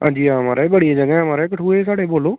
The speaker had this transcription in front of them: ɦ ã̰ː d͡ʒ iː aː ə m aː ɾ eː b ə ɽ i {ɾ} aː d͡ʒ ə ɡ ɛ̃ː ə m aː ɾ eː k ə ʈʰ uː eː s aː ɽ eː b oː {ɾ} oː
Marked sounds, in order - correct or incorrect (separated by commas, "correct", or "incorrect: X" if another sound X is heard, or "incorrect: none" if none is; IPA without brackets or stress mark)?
incorrect: none, incorrect: l